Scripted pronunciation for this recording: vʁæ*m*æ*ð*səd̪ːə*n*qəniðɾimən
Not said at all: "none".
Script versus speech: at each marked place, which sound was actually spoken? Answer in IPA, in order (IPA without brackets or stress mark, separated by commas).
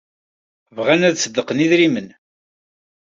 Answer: n, ð, none